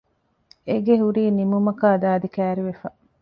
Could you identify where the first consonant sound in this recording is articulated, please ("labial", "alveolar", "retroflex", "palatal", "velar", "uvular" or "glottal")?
velar